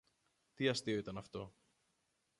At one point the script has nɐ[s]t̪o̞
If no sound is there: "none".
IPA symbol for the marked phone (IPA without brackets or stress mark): f